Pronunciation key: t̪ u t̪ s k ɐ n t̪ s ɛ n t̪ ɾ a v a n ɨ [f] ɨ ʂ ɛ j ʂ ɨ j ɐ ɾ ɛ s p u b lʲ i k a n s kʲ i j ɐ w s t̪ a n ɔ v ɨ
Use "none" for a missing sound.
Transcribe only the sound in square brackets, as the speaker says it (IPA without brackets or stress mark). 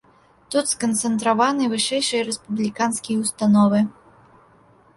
v